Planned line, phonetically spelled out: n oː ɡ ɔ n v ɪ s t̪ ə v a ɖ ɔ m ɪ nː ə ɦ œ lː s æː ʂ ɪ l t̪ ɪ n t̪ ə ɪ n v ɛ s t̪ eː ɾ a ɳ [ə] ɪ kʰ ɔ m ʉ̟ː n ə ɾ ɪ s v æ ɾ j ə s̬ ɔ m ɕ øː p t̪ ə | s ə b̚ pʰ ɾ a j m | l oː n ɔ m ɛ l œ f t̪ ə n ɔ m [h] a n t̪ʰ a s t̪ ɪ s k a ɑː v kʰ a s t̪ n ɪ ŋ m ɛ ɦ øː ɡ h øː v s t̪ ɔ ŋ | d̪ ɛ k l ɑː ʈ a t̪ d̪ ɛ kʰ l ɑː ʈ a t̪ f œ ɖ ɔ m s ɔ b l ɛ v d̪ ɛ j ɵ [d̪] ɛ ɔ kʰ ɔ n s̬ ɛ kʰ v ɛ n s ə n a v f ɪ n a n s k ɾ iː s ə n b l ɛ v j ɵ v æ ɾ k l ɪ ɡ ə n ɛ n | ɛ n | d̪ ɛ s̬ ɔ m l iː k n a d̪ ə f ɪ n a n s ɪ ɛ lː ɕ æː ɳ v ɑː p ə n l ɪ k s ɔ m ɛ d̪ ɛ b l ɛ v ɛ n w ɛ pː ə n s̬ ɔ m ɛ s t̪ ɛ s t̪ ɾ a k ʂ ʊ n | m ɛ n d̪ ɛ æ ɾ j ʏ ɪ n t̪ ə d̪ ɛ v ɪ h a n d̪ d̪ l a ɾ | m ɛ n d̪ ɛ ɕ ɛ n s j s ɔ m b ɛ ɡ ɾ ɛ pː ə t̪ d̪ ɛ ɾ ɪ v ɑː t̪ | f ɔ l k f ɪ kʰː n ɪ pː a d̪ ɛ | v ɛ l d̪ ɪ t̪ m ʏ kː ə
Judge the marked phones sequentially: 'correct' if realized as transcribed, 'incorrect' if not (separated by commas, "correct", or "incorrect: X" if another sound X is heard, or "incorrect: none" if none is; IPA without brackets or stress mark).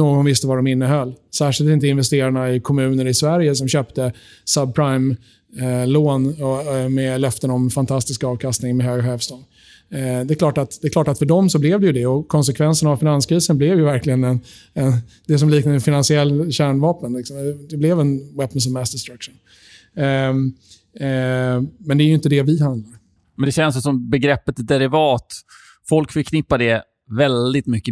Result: incorrect: a, incorrect: f, correct